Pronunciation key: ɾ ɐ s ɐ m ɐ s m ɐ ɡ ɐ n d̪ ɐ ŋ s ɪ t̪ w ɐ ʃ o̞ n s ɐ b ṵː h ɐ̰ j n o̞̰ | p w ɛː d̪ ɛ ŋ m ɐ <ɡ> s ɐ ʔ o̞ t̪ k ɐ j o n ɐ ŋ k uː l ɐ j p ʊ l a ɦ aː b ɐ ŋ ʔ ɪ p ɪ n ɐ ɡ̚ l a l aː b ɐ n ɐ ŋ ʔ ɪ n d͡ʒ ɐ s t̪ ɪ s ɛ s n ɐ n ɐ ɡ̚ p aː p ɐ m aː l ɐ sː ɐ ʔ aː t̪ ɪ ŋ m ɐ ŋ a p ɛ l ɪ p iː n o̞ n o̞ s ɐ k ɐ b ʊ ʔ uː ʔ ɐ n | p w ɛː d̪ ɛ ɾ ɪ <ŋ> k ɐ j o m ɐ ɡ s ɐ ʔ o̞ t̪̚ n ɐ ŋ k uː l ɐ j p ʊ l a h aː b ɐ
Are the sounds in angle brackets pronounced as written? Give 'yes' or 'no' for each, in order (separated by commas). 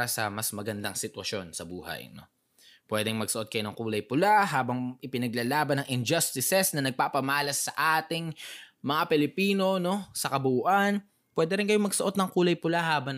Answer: yes, no